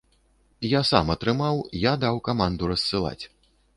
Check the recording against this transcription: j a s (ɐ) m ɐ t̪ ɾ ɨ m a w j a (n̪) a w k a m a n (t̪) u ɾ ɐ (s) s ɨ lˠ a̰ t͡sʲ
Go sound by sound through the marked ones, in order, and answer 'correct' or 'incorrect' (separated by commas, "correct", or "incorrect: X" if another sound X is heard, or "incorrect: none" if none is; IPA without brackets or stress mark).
incorrect: a, incorrect: d̪, incorrect: d̪, correct